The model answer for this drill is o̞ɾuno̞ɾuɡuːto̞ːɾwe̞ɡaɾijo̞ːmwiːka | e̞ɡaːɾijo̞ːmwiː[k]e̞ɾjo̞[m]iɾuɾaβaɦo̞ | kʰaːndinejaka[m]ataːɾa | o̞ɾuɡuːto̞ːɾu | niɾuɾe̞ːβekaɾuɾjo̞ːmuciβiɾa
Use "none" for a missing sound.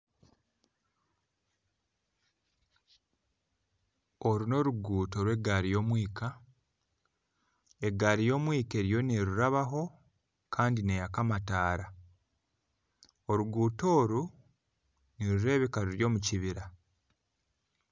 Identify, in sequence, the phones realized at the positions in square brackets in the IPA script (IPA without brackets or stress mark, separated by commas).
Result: k, n, m